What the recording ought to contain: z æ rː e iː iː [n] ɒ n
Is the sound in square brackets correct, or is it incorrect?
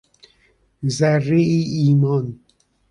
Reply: incorrect